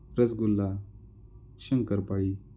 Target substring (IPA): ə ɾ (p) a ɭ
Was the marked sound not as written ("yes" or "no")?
no